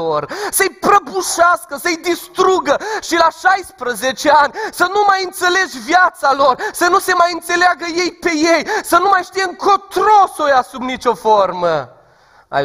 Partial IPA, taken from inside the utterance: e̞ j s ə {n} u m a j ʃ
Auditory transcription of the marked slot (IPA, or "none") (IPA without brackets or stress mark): n